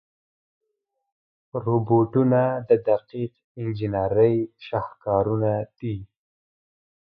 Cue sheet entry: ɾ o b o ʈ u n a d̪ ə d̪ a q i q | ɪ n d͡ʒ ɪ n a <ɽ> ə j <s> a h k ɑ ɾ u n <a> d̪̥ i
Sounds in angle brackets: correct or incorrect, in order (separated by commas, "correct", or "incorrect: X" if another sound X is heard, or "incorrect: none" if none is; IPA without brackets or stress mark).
incorrect: ɾ, incorrect: ʃ, correct